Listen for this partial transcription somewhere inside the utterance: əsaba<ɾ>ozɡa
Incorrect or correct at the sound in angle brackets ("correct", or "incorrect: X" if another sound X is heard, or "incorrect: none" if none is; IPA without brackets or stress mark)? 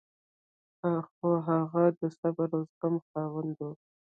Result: correct